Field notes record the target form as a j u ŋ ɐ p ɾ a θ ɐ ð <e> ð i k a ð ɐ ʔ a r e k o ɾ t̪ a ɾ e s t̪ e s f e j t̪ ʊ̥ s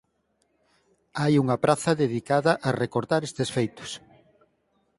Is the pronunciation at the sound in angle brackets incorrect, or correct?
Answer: correct